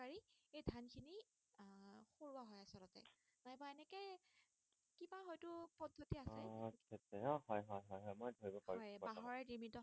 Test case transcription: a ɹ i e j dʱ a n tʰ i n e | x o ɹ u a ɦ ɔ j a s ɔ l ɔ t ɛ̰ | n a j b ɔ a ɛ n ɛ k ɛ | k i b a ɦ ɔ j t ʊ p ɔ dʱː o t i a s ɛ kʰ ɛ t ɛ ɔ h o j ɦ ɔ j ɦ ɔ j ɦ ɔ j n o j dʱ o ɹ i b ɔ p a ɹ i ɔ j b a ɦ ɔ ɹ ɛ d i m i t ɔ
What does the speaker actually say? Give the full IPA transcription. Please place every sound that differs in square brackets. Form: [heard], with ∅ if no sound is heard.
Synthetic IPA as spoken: a ɹ i e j dʱ a n [kʰ] i n [i] | x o ɹ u a ɦ ɔ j a s ɔ l ɔ t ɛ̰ | n a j b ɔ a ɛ n ɛ k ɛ | k i b a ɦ ɔ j t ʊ p ɔ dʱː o t i a s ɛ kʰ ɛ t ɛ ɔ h [ɔ] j ɦ ɔ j ɦ ɔ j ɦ ɔ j [m] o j dʱ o ɹ i b ɔ p a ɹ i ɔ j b a ɦ ɔ ɹ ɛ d i m i t ɔ